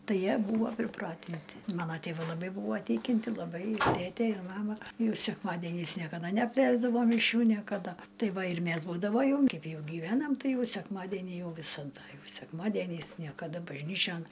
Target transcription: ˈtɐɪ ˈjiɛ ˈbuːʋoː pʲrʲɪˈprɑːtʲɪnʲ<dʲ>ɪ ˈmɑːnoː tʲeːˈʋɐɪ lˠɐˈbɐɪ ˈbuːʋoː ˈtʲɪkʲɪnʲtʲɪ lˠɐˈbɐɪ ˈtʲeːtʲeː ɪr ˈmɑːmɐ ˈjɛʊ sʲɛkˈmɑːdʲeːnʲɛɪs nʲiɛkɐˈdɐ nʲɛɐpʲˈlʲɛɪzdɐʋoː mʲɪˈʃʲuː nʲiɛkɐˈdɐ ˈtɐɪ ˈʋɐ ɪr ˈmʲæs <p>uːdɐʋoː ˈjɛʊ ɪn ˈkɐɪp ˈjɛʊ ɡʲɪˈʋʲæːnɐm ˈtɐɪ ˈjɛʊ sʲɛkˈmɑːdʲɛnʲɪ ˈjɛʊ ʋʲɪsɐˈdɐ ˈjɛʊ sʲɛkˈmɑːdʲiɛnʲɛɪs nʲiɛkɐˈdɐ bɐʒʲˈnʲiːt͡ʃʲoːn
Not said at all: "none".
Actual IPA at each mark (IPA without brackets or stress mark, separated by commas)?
tʲ, b